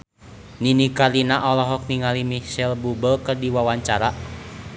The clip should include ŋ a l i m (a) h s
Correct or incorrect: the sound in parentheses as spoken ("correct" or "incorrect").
incorrect